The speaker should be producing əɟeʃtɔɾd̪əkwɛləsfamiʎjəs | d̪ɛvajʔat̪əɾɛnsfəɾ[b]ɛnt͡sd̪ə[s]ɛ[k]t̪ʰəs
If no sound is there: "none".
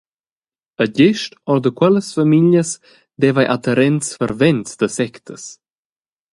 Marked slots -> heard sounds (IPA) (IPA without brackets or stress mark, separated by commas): v, s, k